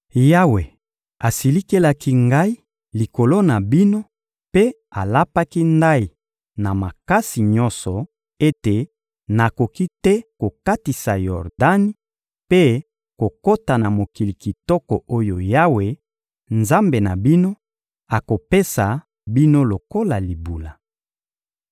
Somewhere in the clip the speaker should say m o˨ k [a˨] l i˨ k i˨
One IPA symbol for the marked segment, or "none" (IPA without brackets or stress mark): i˨